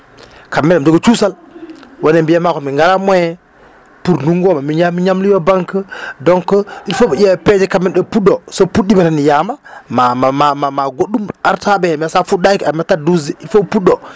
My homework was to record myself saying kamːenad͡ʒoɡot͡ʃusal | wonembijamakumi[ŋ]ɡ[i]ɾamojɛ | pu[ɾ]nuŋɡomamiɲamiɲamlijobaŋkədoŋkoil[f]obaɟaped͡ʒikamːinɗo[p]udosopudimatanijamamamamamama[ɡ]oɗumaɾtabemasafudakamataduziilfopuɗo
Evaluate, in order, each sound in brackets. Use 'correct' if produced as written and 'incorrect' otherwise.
correct, incorrect, correct, correct, correct, correct

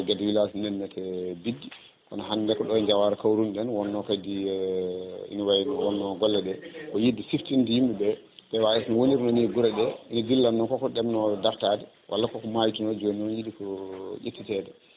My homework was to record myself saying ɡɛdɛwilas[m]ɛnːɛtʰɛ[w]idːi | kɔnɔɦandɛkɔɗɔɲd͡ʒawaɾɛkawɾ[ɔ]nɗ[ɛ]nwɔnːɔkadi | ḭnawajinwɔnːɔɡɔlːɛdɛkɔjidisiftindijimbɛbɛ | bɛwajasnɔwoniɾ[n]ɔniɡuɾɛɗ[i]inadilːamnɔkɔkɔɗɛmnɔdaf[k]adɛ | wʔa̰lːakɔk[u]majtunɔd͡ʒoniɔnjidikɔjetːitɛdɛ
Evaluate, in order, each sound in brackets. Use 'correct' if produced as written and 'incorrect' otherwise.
incorrect, incorrect, incorrect, correct, correct, incorrect, incorrect, incorrect

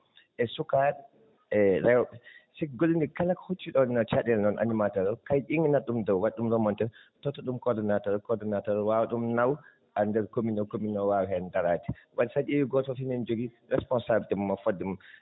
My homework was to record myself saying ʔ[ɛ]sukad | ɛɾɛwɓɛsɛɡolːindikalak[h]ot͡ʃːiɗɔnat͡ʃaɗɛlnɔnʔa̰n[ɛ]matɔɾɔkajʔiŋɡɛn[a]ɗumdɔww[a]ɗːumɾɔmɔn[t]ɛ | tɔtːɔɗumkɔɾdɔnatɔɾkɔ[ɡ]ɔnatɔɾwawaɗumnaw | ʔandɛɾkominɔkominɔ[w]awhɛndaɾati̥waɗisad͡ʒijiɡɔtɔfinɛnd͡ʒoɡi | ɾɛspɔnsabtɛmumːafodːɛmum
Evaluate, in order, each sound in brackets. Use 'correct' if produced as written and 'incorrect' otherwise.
correct, correct, incorrect, correct, correct, correct, incorrect, correct

